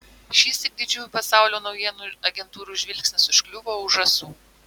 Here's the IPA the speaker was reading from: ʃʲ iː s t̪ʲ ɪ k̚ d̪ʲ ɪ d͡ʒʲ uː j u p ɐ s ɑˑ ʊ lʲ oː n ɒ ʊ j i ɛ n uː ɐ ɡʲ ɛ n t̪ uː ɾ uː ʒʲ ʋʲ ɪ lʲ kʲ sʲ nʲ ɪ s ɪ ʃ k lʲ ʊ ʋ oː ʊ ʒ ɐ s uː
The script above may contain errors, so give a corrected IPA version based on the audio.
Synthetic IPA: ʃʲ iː s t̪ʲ ɪ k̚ d̪ʲ ɪ d͡ʒʲ uː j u p ɐ s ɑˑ ʊ lʲ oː n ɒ ʊ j i ɛ n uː ɐ ɡʲ ɛ n t̪ uː ɾ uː ʒʲ ʋʲ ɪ lʲ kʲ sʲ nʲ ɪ s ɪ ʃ k lʲ ʊ ʋ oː ʊ ʒ ɐ s uː

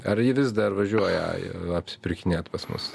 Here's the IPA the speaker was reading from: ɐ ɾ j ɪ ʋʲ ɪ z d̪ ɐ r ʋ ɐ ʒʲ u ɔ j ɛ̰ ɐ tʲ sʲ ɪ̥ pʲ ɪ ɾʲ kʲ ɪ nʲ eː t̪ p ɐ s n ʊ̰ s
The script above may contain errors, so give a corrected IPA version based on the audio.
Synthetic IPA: ɐ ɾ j ɪ ʋʲ ɪ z d̪ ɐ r ʋ ɐ ʒʲ u ɔ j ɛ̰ ɐ pʲ sʲ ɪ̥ pʲ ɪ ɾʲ kʲ ɪ nʲ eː t̪ p ɐ s m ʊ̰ s

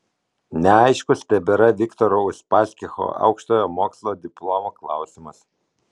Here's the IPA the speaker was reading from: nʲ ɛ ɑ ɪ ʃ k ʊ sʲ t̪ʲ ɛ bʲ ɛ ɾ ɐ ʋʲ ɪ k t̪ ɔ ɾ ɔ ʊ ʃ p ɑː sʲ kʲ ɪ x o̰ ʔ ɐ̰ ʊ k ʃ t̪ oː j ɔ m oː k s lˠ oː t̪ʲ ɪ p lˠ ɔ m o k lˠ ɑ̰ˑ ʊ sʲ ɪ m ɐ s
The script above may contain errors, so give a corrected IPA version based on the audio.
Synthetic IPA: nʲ ɛ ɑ ɪ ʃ k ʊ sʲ t̪ʲ ɛ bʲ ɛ ɾ ɐ ʋʲ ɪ k t̪ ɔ ɾ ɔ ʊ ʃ p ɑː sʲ kʲ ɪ x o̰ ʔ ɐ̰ ʊ k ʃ t̪ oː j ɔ m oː k s lˠ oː d̪ʲ ɪ p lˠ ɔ m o k lˠ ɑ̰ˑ ʊ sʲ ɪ m ɐ s

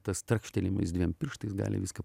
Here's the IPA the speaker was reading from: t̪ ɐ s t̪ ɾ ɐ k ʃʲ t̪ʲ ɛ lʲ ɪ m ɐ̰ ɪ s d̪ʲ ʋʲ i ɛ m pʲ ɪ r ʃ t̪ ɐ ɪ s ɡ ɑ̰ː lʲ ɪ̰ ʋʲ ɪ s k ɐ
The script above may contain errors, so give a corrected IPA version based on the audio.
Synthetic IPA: t̪ ɐ s t̪ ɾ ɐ k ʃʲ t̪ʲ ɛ lʲ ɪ m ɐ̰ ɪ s d̪ʲ ʋʲ i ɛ m pʲ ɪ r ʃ t̪ ɐ ɪ s ɡ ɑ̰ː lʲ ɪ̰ ʋʲ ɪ s k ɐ

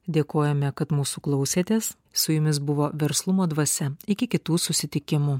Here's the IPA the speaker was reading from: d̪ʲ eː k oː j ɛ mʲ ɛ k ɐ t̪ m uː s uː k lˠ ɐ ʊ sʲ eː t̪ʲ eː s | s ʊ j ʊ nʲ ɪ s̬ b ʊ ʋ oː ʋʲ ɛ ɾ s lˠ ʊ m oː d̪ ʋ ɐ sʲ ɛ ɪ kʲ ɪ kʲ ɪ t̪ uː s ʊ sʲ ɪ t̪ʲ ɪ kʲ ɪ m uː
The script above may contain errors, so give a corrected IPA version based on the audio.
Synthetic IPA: d̪ʲ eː k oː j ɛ mʲ ɛ k ɐ t̪ m uː s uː k lˠ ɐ ʊ sʲ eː t̪ʲ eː s | s ʊ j ʊ mʲ ɪ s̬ b ʊ ʋ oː ʋʲ ɛ ɾ s lˠ ʊ m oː d̪ ʋ ɐ sʲ ɛ ɪ kʲ ɪ kʲ ɪ t̪ uː s ʊ sʲ ɪ t̪ʲ ɪ kʲ ɪ m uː

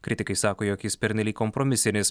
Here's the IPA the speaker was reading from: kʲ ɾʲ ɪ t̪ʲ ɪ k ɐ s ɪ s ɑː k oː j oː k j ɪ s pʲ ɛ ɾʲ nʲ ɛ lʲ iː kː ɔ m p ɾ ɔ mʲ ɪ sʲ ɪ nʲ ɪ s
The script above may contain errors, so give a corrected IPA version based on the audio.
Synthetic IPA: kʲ ɾʲ ɪ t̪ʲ ɪ k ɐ ɪ s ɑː k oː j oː k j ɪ s pʲ ɛ ɾʲ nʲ ɛ lʲ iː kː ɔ m p ɾ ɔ mʲ ɪ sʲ ɪ nʲ ɪ s

